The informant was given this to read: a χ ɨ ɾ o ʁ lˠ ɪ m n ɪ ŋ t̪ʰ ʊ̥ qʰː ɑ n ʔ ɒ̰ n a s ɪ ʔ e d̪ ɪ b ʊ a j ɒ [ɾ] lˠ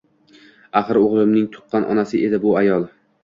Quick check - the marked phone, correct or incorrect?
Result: incorrect